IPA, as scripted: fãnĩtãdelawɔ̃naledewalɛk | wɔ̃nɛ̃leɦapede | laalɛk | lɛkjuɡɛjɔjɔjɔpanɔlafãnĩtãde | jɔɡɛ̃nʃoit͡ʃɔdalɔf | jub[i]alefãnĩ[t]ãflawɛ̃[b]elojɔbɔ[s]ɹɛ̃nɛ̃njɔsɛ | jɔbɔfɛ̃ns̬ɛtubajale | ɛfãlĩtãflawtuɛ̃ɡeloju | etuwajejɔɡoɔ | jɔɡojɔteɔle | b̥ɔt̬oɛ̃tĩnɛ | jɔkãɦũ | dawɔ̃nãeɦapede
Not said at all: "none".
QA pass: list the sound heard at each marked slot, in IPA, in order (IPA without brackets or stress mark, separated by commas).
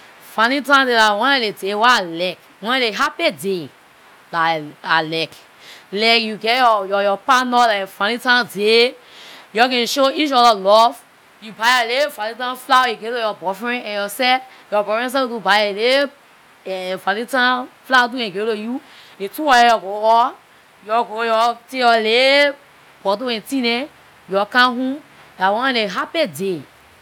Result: a, t, ɡ, f